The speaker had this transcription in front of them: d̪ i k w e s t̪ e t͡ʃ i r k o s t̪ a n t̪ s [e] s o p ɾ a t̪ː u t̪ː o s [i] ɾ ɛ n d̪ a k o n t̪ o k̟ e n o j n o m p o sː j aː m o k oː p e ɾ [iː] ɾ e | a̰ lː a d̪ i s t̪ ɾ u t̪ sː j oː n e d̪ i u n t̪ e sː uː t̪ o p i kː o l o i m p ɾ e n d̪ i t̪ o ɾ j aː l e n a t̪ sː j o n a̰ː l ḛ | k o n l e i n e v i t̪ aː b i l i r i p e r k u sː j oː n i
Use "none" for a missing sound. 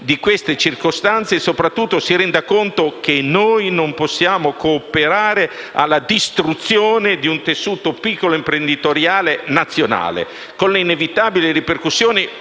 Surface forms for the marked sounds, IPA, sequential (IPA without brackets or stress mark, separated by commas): e, i, aː